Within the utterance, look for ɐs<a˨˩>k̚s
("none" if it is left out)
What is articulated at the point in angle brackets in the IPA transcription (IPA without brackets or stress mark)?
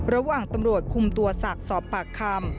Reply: a˨˩